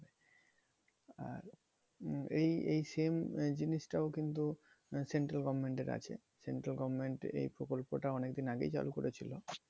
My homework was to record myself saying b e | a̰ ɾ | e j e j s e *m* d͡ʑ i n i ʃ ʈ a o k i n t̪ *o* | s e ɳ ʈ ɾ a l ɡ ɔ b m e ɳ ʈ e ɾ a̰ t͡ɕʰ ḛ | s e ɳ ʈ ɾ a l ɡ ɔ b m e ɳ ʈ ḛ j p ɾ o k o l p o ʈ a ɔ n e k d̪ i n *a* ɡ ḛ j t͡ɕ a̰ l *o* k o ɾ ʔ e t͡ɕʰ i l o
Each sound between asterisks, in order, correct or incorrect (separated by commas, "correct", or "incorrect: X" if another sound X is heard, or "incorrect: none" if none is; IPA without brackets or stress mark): correct, incorrect: u, correct, incorrect: u